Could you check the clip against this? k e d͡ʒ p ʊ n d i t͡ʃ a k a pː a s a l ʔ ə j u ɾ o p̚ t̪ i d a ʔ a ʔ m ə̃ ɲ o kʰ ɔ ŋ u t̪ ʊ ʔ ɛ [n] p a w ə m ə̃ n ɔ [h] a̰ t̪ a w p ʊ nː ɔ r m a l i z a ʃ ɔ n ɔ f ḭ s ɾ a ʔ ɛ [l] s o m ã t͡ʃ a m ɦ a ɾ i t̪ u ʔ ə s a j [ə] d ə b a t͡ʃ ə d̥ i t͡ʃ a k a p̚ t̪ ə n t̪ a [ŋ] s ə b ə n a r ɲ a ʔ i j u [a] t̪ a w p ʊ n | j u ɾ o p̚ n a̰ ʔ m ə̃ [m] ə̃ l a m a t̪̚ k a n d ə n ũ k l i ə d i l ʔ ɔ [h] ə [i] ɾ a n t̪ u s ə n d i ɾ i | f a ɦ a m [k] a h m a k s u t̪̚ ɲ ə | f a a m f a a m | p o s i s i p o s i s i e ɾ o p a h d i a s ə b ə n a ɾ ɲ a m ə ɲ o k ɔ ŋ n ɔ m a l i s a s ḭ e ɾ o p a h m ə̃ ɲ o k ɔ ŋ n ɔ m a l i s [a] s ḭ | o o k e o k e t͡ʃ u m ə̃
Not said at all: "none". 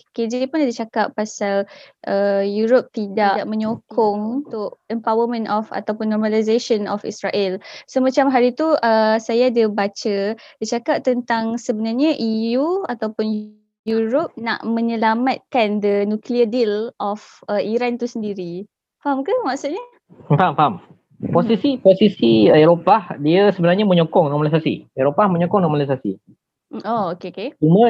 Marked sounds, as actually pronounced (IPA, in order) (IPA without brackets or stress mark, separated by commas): m, f, l, a, ŋ, a, ɲ, f, i, k, a